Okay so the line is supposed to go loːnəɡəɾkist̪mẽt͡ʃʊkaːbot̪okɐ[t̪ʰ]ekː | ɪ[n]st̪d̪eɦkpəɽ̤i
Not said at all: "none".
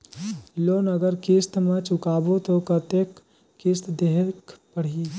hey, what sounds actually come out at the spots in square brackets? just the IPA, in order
t̪, none

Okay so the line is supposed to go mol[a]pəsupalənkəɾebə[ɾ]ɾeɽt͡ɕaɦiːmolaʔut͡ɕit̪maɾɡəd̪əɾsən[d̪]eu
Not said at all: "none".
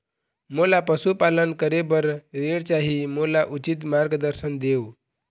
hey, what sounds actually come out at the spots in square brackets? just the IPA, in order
a, ɾ, d̪

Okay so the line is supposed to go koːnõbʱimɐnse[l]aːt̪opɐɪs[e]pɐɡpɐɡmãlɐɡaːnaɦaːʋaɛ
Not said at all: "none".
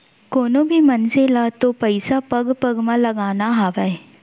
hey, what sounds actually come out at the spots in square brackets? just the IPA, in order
l, a

